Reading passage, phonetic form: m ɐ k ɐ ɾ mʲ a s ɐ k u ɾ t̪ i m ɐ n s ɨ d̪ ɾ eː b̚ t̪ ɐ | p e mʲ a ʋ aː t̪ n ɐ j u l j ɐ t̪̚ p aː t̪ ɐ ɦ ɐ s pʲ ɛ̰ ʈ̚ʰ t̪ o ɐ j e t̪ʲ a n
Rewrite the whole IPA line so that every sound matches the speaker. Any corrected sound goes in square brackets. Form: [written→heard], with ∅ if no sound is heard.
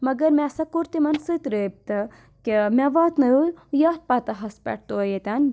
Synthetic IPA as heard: m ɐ [k→ɡ] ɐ ɾ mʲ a s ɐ k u ɾ t̪ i m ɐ n s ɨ [d̪→t̪] ɾ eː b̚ t̪ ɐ | [p→k] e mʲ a ʋ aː t̪ n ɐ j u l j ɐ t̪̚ p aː t̪ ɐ ɦ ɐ s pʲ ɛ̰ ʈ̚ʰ t̪ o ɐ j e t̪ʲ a n